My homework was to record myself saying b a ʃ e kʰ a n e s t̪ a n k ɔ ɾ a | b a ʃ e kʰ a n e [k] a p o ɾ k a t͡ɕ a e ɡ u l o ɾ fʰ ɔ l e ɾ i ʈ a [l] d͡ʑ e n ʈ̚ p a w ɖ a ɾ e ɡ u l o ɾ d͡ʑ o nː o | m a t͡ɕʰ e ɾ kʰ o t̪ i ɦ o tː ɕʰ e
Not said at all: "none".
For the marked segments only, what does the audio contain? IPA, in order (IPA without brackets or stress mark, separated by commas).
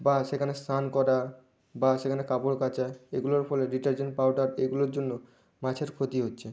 k, ɾ